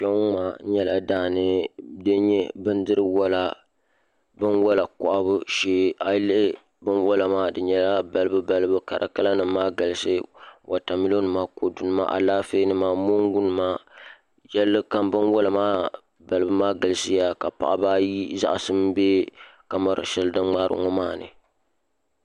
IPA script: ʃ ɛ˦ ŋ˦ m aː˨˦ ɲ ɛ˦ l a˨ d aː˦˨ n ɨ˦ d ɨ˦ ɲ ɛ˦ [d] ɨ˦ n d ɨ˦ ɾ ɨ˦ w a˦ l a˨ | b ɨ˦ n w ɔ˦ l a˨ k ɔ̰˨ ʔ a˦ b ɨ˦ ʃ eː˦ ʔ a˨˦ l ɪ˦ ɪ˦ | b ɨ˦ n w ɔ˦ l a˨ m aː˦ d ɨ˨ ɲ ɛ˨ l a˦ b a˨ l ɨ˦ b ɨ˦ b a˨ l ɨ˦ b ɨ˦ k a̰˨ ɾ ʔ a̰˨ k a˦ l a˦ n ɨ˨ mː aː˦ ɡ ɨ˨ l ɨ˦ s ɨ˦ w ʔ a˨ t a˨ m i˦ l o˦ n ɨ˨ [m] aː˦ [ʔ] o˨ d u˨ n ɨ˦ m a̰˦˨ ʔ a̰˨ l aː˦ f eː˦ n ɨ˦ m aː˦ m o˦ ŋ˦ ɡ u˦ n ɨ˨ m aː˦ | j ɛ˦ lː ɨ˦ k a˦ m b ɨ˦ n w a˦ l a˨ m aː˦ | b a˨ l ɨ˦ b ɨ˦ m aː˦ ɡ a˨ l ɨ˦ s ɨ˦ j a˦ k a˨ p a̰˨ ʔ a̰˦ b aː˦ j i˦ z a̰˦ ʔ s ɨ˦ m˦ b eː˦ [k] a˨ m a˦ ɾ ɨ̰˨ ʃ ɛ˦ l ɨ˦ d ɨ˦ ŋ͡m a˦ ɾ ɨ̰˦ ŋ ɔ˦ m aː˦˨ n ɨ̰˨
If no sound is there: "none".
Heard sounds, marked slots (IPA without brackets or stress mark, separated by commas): b, m, k, k